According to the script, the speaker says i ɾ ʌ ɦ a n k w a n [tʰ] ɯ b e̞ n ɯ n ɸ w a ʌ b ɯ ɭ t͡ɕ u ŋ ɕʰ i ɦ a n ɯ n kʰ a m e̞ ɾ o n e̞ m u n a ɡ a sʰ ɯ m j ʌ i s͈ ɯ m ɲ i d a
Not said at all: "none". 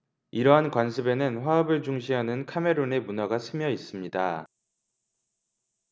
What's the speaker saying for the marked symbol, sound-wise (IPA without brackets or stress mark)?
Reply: sʰ